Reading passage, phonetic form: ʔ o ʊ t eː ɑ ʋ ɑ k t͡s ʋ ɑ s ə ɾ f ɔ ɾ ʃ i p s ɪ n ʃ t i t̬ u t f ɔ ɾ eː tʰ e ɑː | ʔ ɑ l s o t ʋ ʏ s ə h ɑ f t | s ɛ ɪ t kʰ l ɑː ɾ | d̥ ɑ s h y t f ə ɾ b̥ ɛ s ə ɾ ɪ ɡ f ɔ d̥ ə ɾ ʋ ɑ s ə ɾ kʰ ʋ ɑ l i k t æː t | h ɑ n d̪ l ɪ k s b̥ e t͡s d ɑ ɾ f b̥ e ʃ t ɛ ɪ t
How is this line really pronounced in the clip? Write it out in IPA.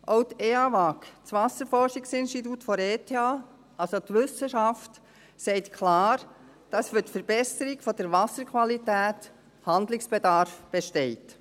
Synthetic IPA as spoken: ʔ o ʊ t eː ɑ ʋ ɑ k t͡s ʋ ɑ s ə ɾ f ɔ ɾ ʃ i k s ɪ n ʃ t i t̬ u t f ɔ ɾ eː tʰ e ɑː | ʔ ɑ l s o t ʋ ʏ s ə ʃ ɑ f t | s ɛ ɪ t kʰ l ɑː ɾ | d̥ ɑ s f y t f ə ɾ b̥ ɛ s ə ɾ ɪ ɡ f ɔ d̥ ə ɾ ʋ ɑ s ə ɾ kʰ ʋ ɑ l i t æː t | h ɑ n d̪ l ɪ k s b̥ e d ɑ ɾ f b̥ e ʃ t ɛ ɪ t